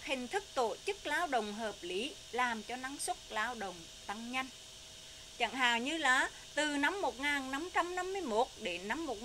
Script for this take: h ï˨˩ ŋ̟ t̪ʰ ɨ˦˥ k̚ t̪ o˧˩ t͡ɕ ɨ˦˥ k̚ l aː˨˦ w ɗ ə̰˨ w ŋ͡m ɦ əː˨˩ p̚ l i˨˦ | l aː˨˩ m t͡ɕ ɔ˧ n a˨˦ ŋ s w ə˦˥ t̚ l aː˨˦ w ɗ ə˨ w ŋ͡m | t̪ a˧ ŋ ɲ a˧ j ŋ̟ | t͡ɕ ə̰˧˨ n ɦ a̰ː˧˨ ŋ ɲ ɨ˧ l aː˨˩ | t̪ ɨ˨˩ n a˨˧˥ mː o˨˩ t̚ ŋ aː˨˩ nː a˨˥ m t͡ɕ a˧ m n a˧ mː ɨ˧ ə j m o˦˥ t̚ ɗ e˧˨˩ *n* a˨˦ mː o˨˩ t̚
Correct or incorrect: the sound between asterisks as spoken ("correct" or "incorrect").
correct